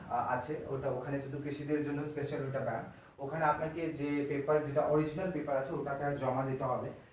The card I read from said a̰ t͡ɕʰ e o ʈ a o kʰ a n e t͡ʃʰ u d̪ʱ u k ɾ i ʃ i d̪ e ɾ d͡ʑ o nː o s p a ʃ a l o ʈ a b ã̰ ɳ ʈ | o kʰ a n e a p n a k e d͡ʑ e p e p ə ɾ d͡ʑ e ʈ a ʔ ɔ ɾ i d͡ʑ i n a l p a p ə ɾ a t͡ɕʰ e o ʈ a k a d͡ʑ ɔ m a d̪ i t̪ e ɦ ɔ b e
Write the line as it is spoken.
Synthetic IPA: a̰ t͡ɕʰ e o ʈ a o kʰ a n e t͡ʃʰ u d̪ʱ u k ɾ i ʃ i d̪ e ɾ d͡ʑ o nː o s p e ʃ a l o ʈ a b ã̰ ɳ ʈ | o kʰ a n e a p n a k e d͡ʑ e p e p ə ɾ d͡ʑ e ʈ a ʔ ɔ ɾ i d͡ʑ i n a l p e p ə ɾ a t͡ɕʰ e o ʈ a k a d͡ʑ ɔ m a d̪ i t̪ e ɦ ɔ b e